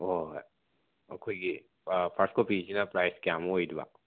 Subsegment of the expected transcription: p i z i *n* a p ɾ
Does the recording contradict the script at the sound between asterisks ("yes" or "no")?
no